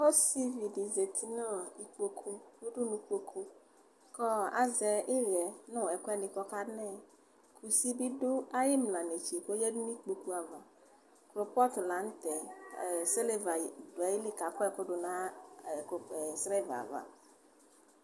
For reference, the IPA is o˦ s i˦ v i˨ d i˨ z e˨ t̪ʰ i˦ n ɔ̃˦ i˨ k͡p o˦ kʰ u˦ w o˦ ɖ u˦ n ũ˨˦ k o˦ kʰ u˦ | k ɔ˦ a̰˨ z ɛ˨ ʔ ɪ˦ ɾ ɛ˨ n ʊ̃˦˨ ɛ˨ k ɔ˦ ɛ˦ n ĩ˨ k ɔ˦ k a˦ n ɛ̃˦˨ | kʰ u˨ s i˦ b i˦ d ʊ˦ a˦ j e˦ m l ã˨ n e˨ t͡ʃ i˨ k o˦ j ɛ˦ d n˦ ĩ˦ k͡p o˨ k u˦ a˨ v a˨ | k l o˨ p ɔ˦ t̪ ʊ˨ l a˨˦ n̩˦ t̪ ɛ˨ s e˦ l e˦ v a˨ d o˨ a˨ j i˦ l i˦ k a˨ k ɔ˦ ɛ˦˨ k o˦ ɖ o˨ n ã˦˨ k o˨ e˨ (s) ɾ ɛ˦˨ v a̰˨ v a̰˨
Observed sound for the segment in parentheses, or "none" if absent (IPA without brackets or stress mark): s